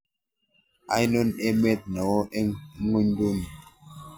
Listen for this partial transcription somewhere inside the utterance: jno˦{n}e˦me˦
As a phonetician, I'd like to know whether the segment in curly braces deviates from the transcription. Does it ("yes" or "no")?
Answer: no